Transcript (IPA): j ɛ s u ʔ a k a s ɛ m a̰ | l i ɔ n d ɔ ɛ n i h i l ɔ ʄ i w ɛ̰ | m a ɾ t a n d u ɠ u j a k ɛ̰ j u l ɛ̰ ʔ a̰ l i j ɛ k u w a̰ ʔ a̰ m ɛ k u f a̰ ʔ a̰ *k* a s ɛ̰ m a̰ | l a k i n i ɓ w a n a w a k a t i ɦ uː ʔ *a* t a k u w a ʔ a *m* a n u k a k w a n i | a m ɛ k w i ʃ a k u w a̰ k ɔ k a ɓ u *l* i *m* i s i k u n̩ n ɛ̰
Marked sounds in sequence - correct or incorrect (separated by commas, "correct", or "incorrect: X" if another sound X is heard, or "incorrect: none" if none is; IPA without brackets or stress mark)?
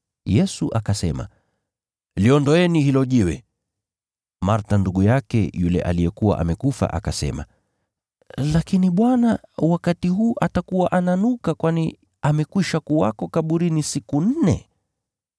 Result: correct, correct, incorrect: n, incorrect: ɾ, incorrect: n